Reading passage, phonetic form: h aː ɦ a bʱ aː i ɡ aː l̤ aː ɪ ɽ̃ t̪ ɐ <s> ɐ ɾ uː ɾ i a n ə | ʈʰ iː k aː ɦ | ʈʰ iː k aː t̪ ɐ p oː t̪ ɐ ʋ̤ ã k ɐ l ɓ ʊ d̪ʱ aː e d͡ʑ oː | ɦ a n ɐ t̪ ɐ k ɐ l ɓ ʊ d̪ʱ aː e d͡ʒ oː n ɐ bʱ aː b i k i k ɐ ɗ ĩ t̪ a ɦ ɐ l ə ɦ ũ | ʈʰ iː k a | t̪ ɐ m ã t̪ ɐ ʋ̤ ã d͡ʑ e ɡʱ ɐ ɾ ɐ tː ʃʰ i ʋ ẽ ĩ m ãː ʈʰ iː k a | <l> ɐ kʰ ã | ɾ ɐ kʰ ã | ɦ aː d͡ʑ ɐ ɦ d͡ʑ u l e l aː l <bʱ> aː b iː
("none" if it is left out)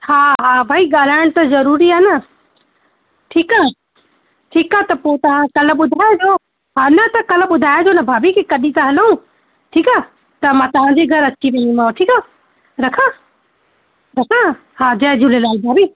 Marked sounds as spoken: z, ɾ, bʱ

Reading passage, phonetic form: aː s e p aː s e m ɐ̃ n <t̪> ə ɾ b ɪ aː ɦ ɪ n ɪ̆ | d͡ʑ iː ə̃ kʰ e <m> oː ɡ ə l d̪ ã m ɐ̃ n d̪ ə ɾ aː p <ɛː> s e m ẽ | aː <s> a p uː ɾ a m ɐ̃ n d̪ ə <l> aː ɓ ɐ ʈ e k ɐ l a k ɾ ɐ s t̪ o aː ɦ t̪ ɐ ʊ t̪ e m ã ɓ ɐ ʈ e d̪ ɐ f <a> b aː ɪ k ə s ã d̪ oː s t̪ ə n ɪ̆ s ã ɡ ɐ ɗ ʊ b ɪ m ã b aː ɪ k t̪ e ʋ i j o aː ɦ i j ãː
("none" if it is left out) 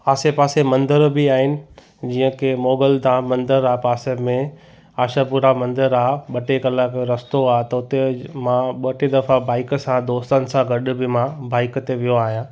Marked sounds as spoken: d̪, m, aː, ʃ, ɾ, a

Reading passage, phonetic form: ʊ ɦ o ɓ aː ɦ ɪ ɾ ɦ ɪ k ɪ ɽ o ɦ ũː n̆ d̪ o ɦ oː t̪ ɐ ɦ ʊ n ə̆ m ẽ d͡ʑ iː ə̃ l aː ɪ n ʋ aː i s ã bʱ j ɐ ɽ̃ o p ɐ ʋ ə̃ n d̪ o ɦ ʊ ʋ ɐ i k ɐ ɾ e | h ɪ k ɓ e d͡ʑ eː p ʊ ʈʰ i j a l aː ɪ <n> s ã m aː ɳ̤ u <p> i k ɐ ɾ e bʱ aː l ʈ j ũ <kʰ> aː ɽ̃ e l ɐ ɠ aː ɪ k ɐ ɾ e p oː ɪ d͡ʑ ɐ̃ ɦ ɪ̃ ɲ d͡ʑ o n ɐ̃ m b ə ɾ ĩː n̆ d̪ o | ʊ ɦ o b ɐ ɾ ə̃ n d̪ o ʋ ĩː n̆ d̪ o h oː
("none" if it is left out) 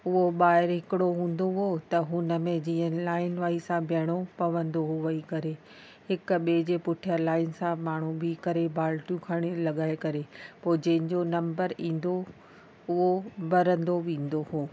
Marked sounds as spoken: n, b, kʰ

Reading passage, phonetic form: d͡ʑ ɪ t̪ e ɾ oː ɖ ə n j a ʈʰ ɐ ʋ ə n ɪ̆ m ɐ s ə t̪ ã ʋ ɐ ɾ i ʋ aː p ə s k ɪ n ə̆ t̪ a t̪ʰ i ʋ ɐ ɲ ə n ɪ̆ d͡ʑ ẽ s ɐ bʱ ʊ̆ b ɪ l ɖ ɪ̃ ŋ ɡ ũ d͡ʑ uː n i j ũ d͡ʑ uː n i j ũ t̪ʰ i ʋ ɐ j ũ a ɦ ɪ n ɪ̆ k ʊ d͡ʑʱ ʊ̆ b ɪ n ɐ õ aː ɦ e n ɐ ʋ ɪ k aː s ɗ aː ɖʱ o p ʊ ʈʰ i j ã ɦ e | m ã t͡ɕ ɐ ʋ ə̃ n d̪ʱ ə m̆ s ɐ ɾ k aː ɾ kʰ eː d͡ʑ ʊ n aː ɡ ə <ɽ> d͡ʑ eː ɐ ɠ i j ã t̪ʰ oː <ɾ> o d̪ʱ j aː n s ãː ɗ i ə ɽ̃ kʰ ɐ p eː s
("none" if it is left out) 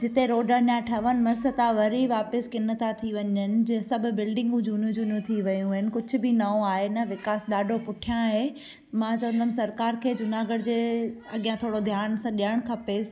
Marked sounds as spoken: ɽ, ɽ

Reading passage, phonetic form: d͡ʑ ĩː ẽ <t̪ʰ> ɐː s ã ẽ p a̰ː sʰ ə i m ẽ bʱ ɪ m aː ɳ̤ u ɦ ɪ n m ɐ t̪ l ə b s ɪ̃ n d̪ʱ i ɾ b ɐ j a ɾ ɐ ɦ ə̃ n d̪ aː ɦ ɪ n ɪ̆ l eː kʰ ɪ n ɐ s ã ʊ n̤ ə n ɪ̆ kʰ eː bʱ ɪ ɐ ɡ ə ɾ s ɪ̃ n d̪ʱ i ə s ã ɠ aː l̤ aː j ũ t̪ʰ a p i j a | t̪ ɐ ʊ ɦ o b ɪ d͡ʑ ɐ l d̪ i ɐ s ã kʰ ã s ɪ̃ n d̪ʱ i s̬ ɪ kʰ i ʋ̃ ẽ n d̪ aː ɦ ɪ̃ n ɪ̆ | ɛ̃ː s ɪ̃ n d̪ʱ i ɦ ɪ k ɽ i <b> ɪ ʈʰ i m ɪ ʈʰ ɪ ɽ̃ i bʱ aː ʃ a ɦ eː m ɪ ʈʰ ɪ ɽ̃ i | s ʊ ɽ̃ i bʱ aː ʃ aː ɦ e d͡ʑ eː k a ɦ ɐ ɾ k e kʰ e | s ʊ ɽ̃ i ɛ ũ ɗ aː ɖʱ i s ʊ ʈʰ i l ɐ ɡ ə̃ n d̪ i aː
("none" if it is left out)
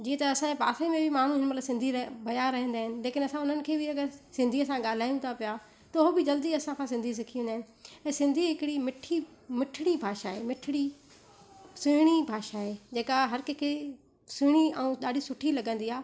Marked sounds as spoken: t̪, m

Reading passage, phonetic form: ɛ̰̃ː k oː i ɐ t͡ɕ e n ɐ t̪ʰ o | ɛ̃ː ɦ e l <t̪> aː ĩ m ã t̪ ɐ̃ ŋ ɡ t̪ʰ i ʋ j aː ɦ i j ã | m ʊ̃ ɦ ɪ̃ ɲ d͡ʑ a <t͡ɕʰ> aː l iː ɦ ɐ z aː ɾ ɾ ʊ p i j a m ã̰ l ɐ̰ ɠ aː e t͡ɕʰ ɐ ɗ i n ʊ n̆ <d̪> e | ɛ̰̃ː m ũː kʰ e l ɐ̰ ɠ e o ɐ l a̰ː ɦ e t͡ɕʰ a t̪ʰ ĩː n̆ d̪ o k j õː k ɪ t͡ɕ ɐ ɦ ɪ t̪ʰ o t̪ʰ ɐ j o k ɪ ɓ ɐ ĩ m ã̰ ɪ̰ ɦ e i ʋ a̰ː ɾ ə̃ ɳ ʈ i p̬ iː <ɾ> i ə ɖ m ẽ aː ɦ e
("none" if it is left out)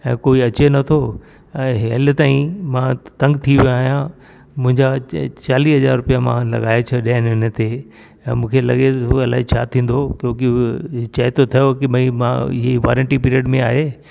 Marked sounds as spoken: t̪, t͡ɕ, t̪, ɾ

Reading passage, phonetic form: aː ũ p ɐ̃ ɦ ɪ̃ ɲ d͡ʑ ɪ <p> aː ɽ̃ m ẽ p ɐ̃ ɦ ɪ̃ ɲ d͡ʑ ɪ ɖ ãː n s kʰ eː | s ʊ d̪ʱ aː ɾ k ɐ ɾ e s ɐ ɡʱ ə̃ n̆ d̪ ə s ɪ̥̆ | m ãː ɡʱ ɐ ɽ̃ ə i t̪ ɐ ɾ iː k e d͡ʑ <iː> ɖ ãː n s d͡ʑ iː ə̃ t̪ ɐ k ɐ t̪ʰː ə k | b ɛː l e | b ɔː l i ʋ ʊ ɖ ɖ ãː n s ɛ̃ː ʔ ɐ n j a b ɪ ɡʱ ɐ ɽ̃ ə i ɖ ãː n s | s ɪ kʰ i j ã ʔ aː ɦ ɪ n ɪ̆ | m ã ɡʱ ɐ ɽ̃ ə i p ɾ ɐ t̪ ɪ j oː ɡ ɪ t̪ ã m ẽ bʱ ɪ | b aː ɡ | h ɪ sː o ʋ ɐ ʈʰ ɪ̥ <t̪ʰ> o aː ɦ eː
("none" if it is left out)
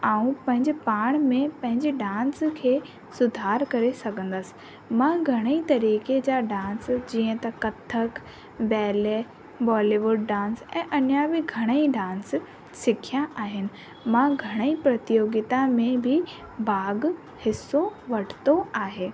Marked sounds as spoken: p, aː, t̪

